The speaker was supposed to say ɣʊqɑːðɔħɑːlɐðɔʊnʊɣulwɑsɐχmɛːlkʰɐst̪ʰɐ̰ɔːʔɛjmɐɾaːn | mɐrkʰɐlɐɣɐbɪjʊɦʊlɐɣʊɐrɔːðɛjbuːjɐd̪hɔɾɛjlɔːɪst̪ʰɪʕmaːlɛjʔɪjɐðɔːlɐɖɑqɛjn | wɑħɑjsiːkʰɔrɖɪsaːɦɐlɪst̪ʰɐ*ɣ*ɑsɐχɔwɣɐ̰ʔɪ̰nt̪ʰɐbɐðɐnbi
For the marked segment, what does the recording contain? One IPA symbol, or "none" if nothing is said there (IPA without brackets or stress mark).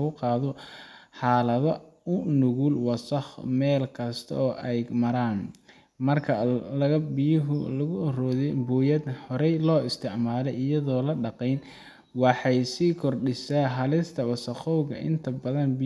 w